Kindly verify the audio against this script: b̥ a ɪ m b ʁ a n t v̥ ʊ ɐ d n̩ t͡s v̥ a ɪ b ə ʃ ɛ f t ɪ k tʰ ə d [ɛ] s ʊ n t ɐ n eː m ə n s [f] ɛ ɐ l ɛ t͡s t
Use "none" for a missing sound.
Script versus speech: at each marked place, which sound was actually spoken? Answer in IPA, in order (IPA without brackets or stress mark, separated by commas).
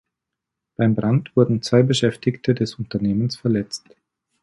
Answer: ɛ, f